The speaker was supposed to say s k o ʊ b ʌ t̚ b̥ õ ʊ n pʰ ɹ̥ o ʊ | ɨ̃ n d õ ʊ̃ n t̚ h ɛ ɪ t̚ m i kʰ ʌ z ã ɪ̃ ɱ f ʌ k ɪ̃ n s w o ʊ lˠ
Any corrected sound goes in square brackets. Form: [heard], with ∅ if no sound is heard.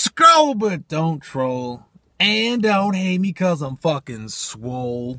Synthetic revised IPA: s k o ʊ b ʌ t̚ [d̥] õ [ʊ̃] n [tʰ] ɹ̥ o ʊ | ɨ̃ n d õ ʊ̃ n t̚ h [e] ɪ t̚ m i kʰ ʌ z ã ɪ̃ ɱ f ʌ k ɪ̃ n s w o ʊ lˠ